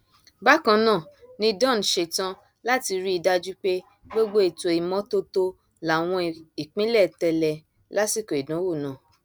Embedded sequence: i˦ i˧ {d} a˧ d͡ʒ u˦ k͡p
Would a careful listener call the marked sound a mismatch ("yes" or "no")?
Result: no